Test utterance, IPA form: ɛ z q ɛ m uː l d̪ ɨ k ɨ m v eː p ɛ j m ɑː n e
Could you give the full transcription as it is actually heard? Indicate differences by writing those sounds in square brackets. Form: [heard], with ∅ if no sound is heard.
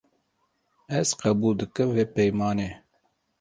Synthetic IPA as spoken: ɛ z q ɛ [b] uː l d̪ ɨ k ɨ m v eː p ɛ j m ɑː n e